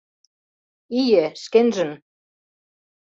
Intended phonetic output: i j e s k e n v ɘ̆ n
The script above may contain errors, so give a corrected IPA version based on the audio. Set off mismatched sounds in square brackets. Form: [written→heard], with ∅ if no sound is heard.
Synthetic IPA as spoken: i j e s k e n [v→ʒ] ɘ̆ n